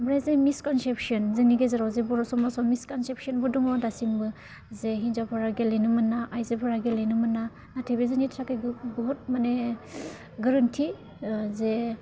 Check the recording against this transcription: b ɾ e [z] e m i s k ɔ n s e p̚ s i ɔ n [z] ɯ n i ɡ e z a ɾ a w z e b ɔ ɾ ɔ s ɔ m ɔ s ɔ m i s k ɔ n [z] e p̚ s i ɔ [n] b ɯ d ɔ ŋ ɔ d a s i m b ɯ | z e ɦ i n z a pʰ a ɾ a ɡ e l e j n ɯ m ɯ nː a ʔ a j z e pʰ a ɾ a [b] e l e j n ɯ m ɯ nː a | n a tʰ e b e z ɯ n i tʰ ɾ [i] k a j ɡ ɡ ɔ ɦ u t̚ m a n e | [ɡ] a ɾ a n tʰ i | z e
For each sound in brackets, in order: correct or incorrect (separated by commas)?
correct, correct, incorrect, correct, incorrect, incorrect, correct